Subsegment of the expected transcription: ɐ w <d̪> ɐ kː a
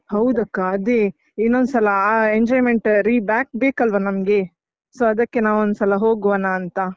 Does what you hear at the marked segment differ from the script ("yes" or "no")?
no